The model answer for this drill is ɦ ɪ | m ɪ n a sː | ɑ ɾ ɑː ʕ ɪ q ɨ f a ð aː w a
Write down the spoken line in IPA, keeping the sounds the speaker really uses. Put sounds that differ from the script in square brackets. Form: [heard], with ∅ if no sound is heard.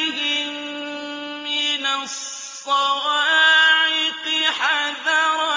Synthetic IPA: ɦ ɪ | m ɪ n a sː | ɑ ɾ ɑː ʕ ɪ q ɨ [ħ] a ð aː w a

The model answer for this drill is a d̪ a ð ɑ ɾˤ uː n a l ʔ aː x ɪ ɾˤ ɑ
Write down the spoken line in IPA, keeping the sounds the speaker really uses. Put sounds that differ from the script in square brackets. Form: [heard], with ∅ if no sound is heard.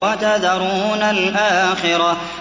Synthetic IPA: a [t̪] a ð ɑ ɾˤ uː n a l ʔ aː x ɪ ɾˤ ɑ

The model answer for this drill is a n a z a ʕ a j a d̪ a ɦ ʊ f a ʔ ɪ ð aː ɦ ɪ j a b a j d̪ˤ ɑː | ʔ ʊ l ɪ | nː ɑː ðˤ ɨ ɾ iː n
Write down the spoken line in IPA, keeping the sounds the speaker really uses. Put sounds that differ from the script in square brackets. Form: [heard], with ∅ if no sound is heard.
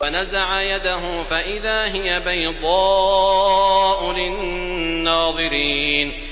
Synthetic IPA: a n a z a ʕ a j a d̪ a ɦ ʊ f a ʔ ɪ ð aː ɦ ɪ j a b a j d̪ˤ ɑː | ʔ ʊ l ɪ | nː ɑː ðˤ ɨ ɾ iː n

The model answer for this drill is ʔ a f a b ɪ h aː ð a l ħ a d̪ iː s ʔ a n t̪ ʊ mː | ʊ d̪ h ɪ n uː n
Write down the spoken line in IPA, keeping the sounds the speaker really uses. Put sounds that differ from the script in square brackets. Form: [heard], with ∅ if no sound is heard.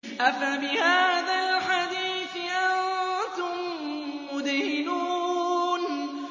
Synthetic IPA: ʔ a f a b ɪ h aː ð a l ħ a d̪ iː [θ] ʔ a n t̪ ʊ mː | ʊ d̪ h ɪ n uː n

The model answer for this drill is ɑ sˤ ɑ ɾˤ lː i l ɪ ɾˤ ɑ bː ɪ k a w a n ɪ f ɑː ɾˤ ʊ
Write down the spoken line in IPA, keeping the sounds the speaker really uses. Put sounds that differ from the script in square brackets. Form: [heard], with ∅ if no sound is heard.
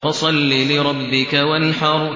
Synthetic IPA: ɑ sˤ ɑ [∅] lː i l ɪ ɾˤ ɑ bː ɪ k a w a n ɪ [ħ] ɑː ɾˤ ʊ

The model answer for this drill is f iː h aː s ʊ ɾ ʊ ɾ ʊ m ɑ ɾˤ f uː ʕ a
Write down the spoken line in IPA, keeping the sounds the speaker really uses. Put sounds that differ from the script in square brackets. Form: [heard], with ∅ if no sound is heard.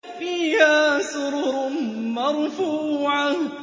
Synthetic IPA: f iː h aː s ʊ ɾ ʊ ɾ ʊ m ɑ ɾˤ f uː ʕ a

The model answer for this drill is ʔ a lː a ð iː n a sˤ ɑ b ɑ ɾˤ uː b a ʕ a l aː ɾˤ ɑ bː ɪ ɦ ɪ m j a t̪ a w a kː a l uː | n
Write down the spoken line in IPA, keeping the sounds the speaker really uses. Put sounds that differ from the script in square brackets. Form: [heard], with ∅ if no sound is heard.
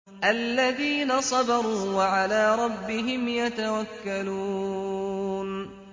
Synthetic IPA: ʔ a lː a ð iː n a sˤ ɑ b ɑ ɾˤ uː [w] a ʕ a l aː ɾˤ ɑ bː ɪ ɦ ɪ m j a t̪ a w a kː a l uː | n

